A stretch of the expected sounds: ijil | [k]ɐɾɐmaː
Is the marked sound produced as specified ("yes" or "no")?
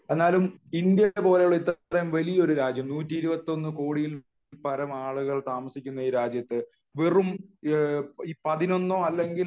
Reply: no